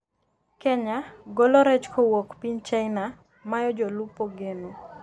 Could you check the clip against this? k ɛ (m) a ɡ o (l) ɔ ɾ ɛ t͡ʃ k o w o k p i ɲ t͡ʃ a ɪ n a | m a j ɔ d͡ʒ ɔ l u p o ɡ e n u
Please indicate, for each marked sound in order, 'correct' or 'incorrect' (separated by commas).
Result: incorrect, correct